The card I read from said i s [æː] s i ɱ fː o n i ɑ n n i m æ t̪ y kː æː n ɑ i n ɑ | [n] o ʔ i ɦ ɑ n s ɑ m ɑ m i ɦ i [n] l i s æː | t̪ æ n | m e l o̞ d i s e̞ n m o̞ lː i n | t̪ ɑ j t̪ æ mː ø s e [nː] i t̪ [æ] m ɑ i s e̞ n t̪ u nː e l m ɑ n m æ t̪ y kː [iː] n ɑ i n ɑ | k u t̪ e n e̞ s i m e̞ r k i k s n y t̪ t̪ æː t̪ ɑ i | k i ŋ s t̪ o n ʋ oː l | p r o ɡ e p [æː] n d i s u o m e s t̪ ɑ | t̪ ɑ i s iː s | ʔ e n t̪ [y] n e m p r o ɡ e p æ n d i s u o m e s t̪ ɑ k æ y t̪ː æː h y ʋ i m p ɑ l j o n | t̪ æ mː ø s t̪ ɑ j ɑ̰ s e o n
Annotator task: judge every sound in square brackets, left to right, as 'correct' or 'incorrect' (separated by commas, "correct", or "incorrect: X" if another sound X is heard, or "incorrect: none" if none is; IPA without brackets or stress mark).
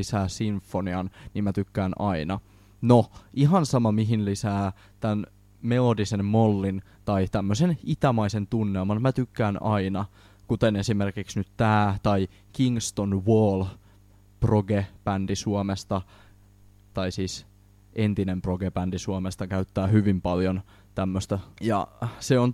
correct, correct, correct, incorrect: n, correct, incorrect: æː, incorrect: æ, incorrect: i